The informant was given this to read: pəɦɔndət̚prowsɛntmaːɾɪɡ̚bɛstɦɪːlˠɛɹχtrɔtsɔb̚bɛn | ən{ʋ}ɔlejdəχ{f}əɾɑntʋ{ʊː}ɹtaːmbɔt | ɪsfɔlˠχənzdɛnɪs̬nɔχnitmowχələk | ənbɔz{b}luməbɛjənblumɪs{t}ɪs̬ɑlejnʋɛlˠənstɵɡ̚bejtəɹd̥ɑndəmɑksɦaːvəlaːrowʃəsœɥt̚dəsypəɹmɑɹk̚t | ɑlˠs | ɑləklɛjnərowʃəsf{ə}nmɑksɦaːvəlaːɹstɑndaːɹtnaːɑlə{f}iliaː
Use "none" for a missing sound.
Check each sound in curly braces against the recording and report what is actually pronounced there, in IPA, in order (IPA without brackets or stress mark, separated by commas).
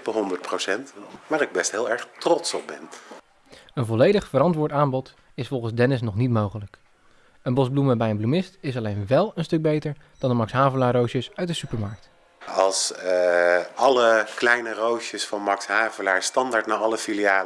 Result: v, f, ʊː, b, t, ɑ, f